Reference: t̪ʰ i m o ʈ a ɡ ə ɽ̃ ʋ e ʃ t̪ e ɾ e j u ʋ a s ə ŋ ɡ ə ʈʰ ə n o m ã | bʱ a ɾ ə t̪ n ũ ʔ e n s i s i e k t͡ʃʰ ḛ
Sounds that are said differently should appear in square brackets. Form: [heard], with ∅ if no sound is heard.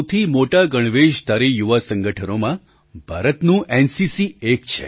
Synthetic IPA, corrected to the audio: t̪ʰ i m o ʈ a ɡ ə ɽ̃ ʋ e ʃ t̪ [a] ɾ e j u ʋ a s ə ŋ ɡ ə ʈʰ ə n o m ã | bʱ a ɾ ə t̪ n ũ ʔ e n s i s i e k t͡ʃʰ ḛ